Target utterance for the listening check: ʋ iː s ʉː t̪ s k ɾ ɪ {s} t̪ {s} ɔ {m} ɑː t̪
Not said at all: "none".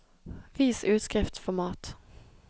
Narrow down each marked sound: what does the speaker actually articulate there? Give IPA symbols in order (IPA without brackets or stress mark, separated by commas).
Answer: f, f, m